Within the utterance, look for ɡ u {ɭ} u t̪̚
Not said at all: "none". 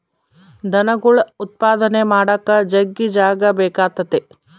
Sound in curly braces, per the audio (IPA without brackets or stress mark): ɭ